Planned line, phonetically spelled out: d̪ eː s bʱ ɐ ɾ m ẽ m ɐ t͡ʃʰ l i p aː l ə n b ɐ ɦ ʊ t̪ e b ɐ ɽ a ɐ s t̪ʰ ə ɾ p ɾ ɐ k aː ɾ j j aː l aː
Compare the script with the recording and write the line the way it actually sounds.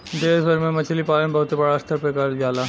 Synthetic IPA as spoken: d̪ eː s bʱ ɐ ɾ m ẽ m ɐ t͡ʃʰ l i p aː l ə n b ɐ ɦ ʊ t̪ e b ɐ ɽ a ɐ s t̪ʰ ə ɾ p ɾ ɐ k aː ɾ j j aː l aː